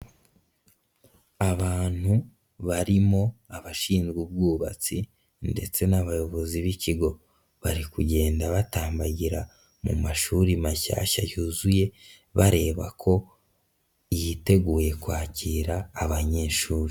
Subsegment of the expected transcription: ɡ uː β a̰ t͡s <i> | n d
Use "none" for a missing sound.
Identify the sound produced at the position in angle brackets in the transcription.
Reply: i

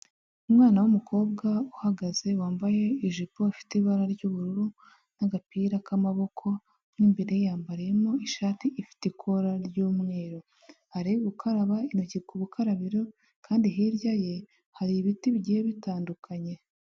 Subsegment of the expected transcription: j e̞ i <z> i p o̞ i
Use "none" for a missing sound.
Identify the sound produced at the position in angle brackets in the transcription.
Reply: ʒ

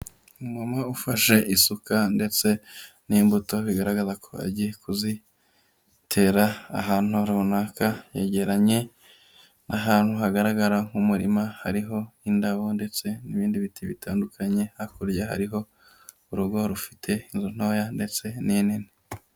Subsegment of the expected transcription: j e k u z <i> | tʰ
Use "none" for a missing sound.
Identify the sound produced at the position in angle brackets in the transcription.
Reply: i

